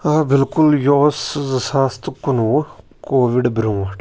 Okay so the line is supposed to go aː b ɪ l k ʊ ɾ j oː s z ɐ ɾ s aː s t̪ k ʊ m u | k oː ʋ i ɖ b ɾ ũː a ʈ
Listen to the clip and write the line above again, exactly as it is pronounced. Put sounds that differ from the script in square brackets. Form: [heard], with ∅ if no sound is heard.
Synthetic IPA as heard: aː b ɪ l k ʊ [l] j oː s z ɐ [∅] s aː s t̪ k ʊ [n] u | k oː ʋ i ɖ b ɾ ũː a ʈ